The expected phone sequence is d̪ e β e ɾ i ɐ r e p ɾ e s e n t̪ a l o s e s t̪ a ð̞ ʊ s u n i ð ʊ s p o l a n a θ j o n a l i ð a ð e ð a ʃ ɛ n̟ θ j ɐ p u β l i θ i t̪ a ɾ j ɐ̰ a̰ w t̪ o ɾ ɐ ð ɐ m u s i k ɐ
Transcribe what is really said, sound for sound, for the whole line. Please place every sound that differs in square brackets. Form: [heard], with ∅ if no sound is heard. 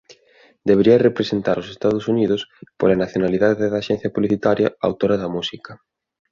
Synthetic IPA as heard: d̪ e β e ɾ i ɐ r e p ɾ e s e n t̪ a [ɾ] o s e s t̪ a ð̞ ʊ s u n i ð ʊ s p o l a n a θ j o n a l i ð a ð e ð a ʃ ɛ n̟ θ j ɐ p u β l i θ i t̪ a ɾ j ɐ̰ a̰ w t̪ o ɾ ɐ ð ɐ m u s i k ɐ